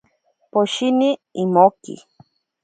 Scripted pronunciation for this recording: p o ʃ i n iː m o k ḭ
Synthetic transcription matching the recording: p o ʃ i n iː m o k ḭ

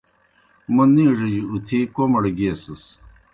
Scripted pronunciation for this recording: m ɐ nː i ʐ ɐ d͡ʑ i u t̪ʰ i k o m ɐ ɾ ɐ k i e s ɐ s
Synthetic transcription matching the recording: m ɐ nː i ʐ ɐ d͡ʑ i u t̪ʰ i k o m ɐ ɽ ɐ ɡ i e s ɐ s

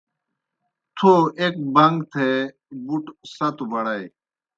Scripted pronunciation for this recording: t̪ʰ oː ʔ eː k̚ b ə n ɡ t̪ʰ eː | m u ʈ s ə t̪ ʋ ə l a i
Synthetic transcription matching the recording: t̪ʰ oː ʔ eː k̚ b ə ŋ ɡ t̪ʰ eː | b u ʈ s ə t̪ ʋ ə ɽ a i

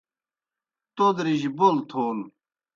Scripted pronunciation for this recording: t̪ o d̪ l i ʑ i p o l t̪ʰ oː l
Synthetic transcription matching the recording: t̪ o d̪ ɾ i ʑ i b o l t̪ʰ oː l

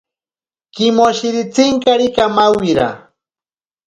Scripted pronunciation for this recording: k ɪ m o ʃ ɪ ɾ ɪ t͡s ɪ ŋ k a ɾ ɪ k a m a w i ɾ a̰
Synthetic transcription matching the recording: k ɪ m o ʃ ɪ ɾ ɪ t͡s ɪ ŋ k a ɾ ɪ k a m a w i ɾ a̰

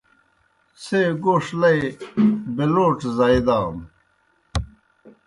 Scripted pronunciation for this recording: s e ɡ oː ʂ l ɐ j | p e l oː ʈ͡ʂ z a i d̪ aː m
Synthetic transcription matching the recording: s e ɡ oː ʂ l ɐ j | b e l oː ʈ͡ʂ z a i d̪ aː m

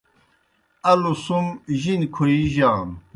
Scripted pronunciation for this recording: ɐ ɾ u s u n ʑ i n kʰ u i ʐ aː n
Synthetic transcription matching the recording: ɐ l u s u m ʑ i n kʰ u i ʑ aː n

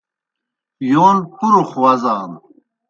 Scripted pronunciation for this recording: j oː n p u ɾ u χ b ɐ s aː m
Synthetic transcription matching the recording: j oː n p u ɾ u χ w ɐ z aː n

